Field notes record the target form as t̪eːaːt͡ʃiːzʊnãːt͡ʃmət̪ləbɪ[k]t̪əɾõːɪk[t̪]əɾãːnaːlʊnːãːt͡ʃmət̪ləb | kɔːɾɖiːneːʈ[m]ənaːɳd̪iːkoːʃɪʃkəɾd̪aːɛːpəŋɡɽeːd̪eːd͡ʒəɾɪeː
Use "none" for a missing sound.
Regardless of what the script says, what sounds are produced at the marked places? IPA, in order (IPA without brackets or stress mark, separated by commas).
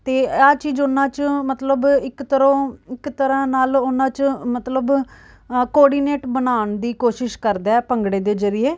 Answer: k, t̪, b